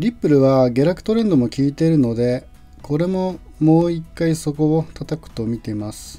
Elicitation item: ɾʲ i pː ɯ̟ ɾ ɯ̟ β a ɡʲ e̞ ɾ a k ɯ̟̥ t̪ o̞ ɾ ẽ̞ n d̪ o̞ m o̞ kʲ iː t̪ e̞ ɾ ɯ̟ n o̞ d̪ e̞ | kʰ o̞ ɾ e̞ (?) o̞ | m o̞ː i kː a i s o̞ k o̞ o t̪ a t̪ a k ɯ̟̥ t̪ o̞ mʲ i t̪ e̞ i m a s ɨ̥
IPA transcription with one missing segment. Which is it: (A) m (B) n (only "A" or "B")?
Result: A